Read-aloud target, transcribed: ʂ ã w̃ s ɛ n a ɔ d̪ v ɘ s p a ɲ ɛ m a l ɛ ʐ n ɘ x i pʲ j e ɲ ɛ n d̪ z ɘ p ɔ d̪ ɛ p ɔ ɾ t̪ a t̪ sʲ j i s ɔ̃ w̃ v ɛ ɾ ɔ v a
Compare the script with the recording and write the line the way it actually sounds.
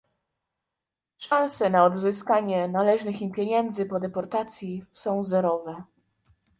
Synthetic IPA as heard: ʂ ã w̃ s ɛ n a ɔ d̪ z ɘ s k a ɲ ɛ n a l ɛ ʐ n ɘ x i pʲ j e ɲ ɛ n d̪ z ɘ p ɔ d̪ ɛ p ɔ ɾ t̪ a t̪ sʲ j i s ɔ̃ w̃ z ɛ ɾ ɔ v ɛ